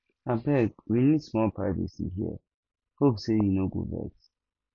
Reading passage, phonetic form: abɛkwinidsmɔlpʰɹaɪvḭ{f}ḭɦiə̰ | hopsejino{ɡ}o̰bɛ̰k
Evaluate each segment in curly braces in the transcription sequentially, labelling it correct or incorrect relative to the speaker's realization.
incorrect: s, correct

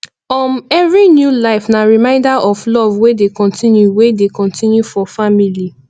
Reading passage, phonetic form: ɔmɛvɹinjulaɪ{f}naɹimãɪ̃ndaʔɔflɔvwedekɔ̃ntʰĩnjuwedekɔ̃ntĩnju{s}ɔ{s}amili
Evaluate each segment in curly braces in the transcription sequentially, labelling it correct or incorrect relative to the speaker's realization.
correct, incorrect: f, incorrect: f

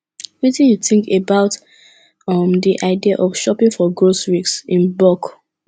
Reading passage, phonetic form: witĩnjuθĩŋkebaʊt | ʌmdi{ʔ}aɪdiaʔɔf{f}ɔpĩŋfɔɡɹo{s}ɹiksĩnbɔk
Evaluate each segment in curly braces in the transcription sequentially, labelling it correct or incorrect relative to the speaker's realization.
correct, incorrect: ʃ, correct

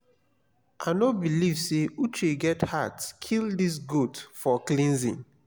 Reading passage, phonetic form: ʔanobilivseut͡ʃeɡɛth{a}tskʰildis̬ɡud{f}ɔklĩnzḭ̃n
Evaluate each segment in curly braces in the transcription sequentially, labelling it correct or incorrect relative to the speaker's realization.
correct, correct

